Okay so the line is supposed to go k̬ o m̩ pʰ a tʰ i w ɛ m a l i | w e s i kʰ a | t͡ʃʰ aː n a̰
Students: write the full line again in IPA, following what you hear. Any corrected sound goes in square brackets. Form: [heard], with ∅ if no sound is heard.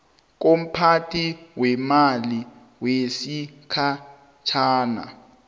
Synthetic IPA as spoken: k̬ o m̩ pʰ a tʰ i w ɛ m a l i | w e s i kʰ a | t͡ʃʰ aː n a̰

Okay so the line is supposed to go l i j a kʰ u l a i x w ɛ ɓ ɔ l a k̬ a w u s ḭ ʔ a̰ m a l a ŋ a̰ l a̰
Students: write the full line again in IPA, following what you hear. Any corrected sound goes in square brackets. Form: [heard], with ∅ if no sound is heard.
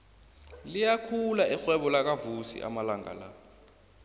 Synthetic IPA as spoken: l i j a kʰ u l a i x w ɛ ɓ ɔ l a k̬ a [v] u s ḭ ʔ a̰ m a l a ŋ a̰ l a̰

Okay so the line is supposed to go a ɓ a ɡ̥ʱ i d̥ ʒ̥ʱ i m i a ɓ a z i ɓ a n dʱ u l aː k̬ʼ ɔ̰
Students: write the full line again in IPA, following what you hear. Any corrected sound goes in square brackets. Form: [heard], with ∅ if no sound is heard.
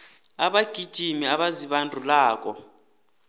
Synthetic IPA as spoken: a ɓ a ɡ̥ʱ i d̥ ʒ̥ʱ i m i a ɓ a z i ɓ a n dʱ u l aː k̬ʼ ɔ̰

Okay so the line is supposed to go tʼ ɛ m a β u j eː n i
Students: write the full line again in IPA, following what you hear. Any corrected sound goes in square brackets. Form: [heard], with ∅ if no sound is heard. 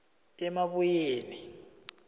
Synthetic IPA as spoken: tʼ ɛ m a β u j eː n i

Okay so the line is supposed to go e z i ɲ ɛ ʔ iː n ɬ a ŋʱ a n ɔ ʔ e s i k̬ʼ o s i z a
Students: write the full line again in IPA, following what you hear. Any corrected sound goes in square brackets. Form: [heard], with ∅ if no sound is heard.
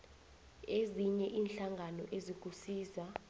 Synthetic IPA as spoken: e z i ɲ ɛ ʔ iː n ɬ a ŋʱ a n ɔ ʔ e [z] i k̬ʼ [u] s [iː] z a

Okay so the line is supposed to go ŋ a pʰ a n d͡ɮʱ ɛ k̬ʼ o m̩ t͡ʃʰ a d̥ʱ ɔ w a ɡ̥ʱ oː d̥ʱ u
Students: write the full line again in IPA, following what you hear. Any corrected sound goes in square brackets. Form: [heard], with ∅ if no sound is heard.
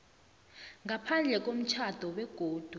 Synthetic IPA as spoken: ŋ a pʰ a n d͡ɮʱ ɛ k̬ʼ o m̩ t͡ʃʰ a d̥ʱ ɔ w [ɛ] ɡ̥ʱ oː d̥ʱ u

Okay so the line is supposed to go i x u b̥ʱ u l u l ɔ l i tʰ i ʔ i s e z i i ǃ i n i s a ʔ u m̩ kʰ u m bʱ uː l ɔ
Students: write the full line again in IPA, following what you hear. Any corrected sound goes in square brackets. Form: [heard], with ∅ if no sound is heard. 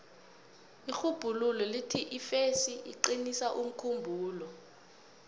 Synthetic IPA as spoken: i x u b̥ʱ u l u l ɔ l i tʰ i ʔ i [f] e [s] i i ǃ i n i s a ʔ u m̩ kʰ u m bʱ uː l ɔ

